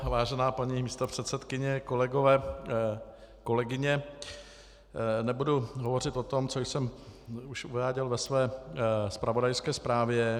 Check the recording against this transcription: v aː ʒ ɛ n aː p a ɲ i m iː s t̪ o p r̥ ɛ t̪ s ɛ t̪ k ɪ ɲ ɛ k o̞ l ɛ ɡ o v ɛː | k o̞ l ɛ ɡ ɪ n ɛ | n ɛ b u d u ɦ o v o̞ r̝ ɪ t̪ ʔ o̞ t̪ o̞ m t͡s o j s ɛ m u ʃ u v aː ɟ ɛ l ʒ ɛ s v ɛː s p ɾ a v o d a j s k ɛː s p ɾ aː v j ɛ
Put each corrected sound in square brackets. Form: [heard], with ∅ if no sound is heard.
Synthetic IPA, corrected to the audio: v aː ʒ ɛ n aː p a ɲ i m iː s t̪ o p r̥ ɛ t̪ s ɛ t̪ k ɪ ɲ ɛ k o̞ l ɛ ɡ o v ɛː | k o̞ l ɛ ɡ ɪ [ɲ] ɛ | n ɛ b u d u ɦ o v o̞ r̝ ɪ t̪ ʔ o̞ t̪ o̞ m t͡s o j s ɛ m u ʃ u v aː ɟ ɛ l [v] ɛ s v ɛː s p ɾ a v o d a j s k ɛː s p ɾ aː v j ɛ